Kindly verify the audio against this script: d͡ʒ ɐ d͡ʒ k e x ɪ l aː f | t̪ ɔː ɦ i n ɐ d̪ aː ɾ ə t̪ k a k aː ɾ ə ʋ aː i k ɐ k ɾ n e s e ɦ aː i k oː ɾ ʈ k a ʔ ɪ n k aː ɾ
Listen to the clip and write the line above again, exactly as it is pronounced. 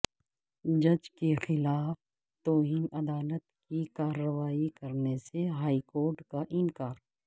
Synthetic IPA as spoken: d͡ʒ ɐ d͡ʒ k e x ɪ l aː f | t̪ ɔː ɦ iː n ɐ d̪ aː l ə t̪ k i k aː ɾ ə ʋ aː i k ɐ ɾ n e s e ɦ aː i k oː ɾ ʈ k a ʔ ɪ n k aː ɾ

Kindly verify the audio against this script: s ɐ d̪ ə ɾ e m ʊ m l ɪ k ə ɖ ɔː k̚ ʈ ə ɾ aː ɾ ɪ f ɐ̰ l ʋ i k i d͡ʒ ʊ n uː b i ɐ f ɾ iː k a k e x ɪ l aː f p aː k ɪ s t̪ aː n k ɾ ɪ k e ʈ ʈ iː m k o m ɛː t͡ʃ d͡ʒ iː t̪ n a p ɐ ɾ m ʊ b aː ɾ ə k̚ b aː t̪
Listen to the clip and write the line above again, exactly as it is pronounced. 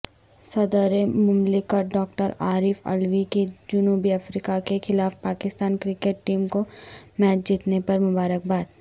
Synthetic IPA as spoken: s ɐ d̪ ə ɾ e m ʊ m l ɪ k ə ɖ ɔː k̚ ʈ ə ɾ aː ɾ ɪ f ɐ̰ l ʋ i k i d͡ʒ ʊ n uː b i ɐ f ɾ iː k a k e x ɪ l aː f p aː k ɪ s t̪ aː n k ɾ ɪ k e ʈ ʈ iː m k o m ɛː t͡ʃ d͡ʒ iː t̪ n e p ɐ ɾ m ʊ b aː ɾ ə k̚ b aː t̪

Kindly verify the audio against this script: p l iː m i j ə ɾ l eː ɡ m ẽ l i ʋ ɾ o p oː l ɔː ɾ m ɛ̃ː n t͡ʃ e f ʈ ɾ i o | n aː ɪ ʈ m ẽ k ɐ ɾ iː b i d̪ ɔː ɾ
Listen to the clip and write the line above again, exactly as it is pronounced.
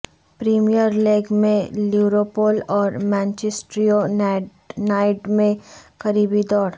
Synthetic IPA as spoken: p ɾ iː m i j ə ɾ l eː ɡ m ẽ l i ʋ ɾ o p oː l ɔː ɾ m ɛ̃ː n t͡ʃ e s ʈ ɾ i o | n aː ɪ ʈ m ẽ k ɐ ɾ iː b i d̪ ɔː ɾ

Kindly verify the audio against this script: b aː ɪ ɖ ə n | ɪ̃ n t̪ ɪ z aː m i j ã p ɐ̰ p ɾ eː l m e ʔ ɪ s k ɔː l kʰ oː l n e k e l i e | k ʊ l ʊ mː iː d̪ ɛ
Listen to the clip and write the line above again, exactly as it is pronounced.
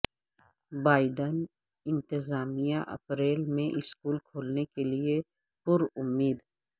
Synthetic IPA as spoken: b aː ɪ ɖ ə n | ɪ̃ n t̪ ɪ z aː m i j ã ʔ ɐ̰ p ɾ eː l m ẽ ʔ ɪ s k uː l kʰ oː l n e k e l i e | p ʊ ɾ ʊ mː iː d̪ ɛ

